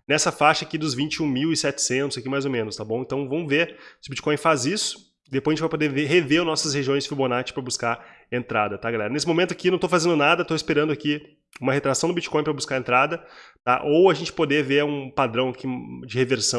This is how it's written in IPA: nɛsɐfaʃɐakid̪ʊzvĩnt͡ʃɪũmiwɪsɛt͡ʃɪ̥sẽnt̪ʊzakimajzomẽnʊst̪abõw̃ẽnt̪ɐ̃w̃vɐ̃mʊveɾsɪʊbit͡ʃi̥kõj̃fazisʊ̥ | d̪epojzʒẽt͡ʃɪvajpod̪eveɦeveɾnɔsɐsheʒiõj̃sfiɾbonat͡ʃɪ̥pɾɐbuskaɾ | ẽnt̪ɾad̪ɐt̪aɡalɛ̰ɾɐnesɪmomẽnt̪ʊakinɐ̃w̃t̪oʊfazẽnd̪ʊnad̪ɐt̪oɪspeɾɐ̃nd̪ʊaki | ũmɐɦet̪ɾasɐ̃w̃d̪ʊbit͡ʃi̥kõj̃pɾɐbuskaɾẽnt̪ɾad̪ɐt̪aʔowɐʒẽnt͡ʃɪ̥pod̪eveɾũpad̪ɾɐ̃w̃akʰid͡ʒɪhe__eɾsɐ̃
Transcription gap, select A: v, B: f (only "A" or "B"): A